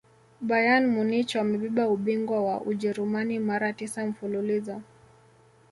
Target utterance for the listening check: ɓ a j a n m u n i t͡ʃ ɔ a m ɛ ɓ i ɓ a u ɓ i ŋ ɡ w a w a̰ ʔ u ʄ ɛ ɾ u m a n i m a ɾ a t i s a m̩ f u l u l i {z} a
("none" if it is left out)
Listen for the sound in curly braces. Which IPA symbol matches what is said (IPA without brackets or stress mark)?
z